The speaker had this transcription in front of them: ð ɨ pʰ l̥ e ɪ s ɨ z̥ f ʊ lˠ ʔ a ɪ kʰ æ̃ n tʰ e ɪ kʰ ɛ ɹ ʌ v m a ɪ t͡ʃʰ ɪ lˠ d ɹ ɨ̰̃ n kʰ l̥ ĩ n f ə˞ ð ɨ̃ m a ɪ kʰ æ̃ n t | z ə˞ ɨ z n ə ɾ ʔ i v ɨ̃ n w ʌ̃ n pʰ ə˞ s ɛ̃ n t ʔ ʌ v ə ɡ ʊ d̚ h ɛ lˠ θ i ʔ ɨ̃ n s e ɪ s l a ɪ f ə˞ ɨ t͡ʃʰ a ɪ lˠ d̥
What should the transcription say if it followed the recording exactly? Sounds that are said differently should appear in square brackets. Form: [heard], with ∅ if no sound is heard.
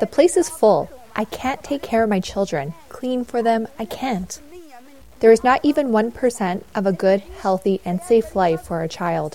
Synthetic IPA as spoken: ð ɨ pʰ l̥ e ɪ s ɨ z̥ f ʊ lˠ ʔ a ɪ kʰ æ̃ n tʰ e ɪ kʰ ɛ ɹ ʌ v m a ɪ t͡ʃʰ ɪ lˠ d ɹ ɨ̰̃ n kʰ l̥ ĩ n f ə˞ ð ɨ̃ m a ɪ kʰ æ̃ n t | [ð] ə˞ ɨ z n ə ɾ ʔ i v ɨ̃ n w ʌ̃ n pʰ ə˞ s ɛ̃ n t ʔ ʌ v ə ɡ ʊ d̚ h ɛ lˠ θ i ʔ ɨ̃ n s e ɪ [f] l a ɪ f ə˞ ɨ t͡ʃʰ a ɪ lˠ d̥